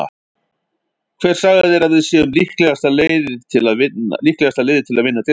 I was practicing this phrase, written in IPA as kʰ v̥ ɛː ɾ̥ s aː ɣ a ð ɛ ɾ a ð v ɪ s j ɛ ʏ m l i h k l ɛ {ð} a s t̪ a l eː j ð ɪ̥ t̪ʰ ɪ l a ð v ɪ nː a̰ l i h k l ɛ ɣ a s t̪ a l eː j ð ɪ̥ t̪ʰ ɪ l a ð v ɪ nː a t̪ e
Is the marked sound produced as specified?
no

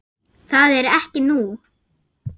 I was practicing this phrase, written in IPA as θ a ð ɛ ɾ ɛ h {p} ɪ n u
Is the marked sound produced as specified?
no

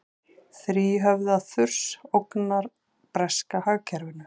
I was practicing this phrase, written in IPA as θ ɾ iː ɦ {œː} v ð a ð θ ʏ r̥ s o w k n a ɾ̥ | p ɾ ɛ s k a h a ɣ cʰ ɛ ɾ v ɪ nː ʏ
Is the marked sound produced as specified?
no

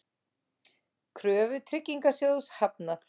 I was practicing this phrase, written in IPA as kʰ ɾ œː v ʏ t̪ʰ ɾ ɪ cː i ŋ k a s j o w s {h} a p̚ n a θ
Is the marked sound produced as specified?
yes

